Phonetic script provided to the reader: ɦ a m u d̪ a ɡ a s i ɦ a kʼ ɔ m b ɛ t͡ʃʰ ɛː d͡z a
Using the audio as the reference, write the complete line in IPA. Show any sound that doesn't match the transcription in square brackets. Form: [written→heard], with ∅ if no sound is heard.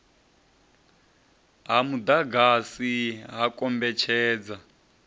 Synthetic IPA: ɦ a m u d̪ a ɡ a s i ɦ a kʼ ɔ m b ɛ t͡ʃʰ ɛː d͡z a